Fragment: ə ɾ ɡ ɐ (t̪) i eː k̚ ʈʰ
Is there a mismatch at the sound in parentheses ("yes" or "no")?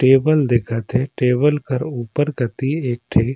no